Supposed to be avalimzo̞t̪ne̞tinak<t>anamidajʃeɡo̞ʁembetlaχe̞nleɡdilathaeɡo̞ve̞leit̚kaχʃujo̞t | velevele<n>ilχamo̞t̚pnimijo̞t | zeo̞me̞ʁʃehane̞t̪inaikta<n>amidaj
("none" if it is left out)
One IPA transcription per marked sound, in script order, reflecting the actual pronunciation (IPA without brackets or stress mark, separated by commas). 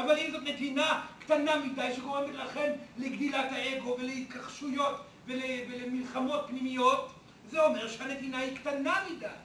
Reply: t, m, n